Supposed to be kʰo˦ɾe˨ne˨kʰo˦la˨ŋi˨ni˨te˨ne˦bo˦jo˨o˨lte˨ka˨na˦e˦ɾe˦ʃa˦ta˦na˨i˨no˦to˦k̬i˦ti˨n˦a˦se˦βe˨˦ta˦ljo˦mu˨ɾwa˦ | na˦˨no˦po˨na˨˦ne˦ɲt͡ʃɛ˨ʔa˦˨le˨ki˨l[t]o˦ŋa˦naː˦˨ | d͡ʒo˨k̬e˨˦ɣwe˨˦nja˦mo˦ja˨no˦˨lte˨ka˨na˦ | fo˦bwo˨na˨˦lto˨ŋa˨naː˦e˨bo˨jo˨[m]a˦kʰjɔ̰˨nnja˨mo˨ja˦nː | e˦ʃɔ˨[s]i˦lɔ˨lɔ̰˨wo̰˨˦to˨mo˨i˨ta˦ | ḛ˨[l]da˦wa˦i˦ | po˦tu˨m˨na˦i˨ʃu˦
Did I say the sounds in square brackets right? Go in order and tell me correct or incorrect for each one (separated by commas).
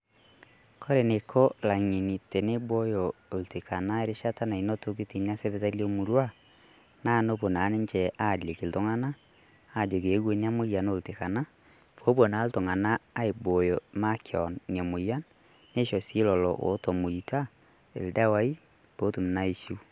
correct, correct, correct, correct